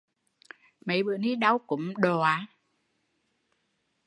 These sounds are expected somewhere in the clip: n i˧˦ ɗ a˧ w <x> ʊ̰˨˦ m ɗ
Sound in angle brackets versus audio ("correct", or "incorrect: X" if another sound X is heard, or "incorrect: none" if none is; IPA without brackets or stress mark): incorrect: k